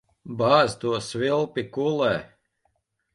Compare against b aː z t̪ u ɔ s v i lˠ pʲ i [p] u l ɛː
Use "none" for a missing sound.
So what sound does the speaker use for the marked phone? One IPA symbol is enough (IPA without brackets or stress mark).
k